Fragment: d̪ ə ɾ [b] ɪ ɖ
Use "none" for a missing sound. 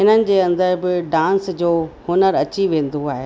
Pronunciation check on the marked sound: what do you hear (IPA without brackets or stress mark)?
b